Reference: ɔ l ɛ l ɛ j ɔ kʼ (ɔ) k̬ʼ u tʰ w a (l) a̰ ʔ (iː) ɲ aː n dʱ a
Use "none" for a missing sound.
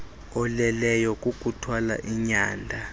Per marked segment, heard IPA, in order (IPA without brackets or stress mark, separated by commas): u, l, i